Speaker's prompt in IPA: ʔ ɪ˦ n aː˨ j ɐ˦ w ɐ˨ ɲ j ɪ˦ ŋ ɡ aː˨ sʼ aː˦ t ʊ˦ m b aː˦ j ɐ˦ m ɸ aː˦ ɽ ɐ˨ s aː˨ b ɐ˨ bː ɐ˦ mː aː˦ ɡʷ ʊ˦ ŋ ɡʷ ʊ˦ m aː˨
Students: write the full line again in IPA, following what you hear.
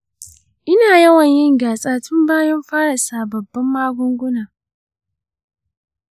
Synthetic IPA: ʔ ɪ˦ n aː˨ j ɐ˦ w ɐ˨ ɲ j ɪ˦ ŋ ɡ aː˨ sʼ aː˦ t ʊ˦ m b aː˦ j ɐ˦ m ɸ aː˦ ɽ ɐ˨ s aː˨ b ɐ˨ bː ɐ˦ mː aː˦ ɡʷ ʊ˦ ŋ ɡʷ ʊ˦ n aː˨